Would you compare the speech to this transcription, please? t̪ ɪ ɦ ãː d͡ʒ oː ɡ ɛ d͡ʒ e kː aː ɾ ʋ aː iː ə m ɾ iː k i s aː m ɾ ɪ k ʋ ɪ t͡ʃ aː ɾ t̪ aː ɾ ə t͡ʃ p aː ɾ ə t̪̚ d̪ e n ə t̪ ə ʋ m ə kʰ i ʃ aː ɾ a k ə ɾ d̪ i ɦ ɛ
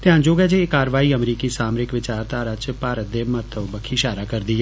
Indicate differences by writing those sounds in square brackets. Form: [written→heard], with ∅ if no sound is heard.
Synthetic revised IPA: t̪ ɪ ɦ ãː d͡ʒ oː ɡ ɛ d͡ʒ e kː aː ɾ ʋ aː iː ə m ɾ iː k i s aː m ɾ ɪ k ʋ ɪ t͡ʃ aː ɾ t̪ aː ɾ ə t͡ʃ p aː ɾ ə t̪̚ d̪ e [n→m] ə t̪ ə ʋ [m→b] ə kʰ i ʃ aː ɾ a k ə ɾ d̪ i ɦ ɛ